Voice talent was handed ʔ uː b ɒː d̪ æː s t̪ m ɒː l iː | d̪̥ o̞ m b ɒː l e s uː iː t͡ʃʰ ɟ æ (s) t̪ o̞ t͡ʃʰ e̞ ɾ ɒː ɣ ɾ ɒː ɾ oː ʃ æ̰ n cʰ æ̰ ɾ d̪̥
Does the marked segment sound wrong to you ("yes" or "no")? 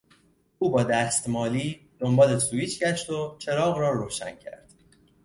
yes